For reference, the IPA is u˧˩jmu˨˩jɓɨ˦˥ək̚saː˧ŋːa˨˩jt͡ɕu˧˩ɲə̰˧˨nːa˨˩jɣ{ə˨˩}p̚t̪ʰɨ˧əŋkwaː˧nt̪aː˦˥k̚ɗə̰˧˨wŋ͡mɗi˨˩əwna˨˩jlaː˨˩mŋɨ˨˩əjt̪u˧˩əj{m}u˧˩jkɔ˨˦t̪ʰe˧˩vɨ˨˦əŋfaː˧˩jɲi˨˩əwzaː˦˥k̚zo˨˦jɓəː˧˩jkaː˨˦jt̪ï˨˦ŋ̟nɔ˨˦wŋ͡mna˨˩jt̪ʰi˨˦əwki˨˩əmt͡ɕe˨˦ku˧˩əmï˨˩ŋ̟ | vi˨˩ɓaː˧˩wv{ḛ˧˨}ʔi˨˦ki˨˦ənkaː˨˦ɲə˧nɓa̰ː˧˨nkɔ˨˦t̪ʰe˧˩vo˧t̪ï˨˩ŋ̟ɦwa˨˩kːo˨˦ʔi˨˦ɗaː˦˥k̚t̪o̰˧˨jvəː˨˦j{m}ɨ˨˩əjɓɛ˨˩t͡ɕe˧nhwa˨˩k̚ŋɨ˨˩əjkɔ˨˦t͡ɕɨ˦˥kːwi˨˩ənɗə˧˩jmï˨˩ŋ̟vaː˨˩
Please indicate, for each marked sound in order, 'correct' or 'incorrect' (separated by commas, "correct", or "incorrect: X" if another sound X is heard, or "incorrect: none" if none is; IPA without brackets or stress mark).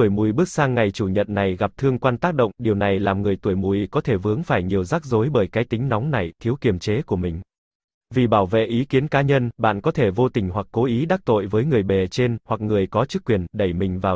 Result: incorrect: a˨˩, correct, correct, incorrect: ŋ